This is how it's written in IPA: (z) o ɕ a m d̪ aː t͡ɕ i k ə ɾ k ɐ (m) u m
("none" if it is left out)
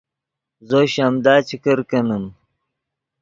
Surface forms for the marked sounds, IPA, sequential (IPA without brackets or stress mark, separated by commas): z, n